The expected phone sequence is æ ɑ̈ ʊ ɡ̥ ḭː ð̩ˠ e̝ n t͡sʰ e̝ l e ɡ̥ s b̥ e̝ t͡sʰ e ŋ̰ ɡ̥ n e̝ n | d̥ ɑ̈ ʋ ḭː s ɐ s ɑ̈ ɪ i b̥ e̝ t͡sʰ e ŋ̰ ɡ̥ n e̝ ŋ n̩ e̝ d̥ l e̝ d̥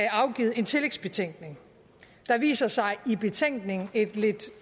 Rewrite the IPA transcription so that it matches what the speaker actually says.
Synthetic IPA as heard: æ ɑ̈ ʊ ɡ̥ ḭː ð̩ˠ e̝ n t͡sʰ e̝ l e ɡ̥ s b̥ e̝ t͡sʰ e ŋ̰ ɡ̥ n e̝ ŋ | d̥ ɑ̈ ʋ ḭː s ɐ s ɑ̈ ɪ i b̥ e̝ t͡sʰ e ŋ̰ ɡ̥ n e̝ ŋ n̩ e̝ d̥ l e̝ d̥